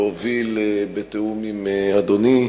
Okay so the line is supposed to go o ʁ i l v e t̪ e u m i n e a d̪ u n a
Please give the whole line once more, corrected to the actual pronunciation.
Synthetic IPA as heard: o v i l b e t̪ e u m i m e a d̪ o n i